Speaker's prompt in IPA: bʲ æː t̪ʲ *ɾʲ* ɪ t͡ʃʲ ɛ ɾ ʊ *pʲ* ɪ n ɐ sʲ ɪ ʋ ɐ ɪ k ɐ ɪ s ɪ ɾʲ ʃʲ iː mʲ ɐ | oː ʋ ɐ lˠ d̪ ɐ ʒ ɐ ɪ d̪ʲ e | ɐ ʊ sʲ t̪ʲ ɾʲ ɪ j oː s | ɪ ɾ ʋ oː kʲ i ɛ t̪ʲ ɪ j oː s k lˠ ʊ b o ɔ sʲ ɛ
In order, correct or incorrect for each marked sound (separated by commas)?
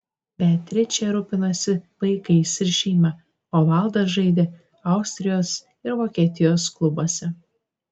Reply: correct, correct